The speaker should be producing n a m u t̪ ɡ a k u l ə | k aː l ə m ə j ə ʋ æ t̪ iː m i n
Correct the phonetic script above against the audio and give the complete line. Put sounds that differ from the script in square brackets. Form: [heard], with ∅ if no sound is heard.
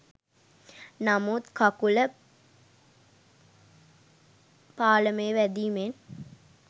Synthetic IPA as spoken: n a m u t̪ [k] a k u l ə | [p] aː l ə m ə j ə ʋ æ [d̪] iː m [e] n